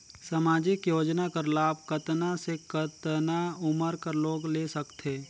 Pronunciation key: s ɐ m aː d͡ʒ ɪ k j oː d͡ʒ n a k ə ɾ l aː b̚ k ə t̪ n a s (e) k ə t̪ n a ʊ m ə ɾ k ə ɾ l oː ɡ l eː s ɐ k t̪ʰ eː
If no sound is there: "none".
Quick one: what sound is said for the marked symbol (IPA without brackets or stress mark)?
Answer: e